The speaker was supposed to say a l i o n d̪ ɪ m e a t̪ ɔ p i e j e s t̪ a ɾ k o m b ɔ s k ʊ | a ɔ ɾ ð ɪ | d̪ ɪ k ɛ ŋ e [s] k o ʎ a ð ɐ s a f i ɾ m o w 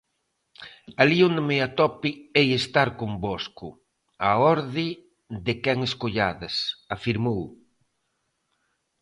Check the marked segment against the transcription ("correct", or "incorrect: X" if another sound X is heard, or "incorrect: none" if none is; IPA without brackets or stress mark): correct